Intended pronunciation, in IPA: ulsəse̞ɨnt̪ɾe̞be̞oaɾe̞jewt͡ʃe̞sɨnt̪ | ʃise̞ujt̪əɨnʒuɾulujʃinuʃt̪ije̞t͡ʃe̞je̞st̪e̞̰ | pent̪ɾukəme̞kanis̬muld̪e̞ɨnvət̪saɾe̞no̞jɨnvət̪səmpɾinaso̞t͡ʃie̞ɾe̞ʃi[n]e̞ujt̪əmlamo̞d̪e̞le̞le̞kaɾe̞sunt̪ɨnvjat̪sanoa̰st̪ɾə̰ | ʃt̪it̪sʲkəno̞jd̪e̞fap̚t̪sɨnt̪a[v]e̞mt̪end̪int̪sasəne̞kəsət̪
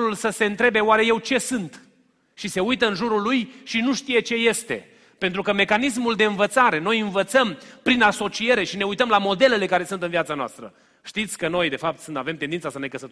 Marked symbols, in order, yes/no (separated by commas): yes, yes